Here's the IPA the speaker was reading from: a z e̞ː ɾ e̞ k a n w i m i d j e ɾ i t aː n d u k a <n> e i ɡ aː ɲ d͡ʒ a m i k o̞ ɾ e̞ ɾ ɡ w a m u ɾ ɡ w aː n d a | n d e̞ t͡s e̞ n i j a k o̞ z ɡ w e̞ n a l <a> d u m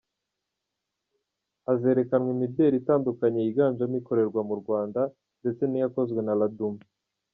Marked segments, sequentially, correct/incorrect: incorrect, correct

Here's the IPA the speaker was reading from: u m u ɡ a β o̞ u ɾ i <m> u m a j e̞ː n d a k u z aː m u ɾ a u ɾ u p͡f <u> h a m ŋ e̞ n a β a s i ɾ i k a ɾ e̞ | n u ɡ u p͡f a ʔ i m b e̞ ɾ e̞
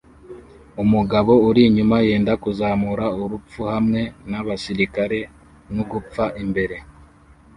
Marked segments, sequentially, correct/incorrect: incorrect, correct

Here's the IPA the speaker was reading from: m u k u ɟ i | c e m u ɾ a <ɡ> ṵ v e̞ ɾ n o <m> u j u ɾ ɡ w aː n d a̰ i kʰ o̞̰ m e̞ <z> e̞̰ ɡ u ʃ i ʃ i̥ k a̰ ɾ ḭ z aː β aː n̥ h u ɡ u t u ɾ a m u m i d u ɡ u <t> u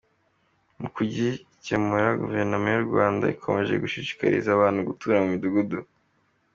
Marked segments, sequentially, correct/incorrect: correct, correct, incorrect, incorrect

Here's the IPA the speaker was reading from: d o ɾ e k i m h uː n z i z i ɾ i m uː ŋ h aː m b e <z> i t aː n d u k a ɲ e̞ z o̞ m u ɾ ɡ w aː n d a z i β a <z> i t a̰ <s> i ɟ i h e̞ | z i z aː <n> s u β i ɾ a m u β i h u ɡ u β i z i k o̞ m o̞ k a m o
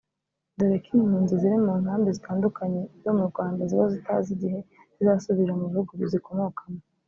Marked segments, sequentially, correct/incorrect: correct, correct, incorrect, incorrect

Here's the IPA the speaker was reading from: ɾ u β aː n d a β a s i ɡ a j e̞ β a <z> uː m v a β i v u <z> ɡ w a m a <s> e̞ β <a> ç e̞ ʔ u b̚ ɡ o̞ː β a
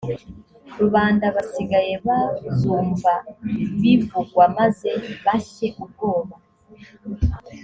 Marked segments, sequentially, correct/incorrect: correct, incorrect, incorrect, correct

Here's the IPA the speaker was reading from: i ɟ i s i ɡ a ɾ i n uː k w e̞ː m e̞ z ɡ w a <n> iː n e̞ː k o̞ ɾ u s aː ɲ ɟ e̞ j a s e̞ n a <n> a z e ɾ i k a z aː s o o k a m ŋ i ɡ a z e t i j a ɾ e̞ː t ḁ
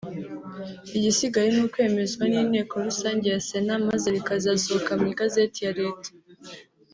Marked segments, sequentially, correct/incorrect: correct, incorrect

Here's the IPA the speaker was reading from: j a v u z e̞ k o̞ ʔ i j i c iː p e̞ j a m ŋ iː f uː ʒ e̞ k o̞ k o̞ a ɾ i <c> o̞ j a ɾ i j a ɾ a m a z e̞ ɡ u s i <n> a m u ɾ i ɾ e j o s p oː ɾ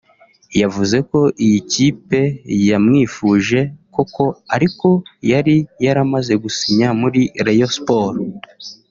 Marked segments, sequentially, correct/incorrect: incorrect, incorrect

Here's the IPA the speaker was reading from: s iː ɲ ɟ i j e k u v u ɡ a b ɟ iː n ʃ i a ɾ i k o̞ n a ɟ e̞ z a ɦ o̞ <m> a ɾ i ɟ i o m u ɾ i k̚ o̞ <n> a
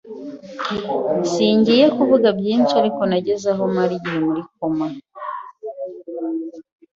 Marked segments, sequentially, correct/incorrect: correct, incorrect

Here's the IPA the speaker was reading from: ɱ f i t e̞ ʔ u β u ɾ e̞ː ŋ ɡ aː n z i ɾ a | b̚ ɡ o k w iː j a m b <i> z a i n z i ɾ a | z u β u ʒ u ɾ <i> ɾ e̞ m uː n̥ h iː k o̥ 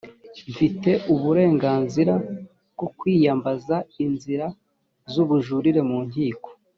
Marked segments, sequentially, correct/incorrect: incorrect, correct

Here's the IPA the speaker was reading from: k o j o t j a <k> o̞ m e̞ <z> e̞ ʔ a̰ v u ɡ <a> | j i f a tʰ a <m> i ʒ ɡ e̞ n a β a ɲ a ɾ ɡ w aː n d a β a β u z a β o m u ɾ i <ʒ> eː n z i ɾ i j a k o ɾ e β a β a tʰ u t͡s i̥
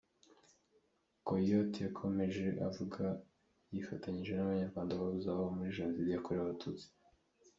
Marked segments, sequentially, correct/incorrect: incorrect, incorrect, correct, incorrect, correct

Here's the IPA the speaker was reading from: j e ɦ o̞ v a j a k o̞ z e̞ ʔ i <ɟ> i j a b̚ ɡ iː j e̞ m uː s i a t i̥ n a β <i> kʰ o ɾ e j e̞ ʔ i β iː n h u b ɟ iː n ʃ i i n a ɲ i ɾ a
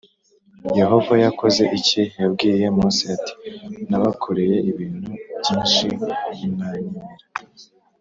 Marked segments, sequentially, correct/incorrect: incorrect, incorrect

